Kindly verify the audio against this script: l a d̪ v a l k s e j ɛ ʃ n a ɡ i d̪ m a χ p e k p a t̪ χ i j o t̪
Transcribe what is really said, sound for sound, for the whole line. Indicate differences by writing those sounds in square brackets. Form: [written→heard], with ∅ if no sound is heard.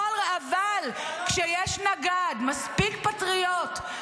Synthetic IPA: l a [d̪→∅] v a l k [s→ʃ] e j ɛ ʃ n a ɡ [i→a] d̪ m a [χ→s] p [e→i] k p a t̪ [χ→ʁ] i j o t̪